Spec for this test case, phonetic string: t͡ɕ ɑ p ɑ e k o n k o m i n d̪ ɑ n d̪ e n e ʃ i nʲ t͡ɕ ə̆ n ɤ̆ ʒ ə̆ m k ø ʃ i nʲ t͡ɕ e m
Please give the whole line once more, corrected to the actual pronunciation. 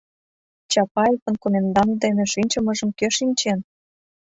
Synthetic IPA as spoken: t͡ɕ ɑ p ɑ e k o n k o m e n d̪ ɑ n d̪ e n e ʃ i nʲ t͡ɕ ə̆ m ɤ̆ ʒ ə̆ m k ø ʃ i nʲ t͡ɕ e n